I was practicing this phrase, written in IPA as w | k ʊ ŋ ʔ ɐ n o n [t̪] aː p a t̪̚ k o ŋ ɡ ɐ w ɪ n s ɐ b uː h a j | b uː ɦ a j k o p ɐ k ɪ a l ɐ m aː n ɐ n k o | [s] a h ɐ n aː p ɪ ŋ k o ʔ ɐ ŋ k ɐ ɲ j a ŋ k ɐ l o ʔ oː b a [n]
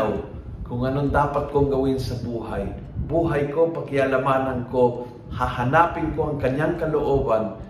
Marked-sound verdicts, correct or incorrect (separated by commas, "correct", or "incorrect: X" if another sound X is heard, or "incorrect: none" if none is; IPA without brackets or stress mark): incorrect: d̪, incorrect: h, correct